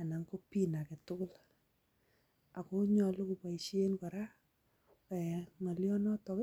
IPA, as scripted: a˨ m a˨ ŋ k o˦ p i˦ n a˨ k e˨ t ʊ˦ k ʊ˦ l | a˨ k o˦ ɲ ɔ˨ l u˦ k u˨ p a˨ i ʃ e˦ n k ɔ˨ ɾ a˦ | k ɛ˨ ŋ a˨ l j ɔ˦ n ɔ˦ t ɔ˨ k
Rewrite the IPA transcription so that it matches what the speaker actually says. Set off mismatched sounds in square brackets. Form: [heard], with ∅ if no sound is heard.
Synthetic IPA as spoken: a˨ [n] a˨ ŋ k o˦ p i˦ n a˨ k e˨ t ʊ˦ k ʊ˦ l | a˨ k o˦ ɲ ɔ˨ l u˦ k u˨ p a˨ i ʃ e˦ n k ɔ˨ ɾ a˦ | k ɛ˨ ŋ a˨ l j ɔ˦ n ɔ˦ t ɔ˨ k